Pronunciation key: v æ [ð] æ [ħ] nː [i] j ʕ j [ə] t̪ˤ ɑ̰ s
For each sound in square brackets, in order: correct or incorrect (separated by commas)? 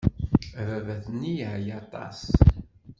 incorrect, incorrect, correct, incorrect